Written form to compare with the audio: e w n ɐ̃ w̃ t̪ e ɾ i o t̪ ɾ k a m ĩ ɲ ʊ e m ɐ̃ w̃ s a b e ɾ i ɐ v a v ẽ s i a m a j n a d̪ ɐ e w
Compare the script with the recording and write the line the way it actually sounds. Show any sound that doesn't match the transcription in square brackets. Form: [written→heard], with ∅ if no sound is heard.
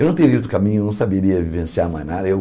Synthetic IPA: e w n ɐ̃ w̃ t̪ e ɾ i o t̪ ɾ k a m ĩ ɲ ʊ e [m→n] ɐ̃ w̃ s a b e ɾ i ɐ v [a→i] v ẽ s i a m a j n a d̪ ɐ e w